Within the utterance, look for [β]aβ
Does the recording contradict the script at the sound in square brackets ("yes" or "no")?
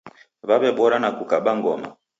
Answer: no